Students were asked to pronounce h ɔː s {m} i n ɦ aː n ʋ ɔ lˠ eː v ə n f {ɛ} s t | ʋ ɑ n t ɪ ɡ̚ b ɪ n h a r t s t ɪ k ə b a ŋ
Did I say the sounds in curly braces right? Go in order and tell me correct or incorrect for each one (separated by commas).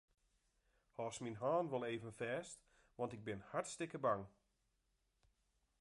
correct, incorrect